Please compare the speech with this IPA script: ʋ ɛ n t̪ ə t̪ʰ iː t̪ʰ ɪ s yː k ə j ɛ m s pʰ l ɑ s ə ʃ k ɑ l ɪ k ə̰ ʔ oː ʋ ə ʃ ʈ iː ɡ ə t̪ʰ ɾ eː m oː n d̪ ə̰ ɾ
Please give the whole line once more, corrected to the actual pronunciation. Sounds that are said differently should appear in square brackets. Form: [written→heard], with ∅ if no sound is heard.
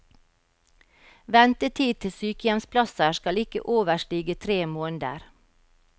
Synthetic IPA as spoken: ʋ ɛ n t̪ ə t̪ʰ iː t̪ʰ ɪ s yː k ə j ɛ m s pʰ l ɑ s ə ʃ k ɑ l ɪ k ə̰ ʔ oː ʋ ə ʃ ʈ iː ɡ ə t̪ʰ ɾ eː m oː n d̪ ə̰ ɾ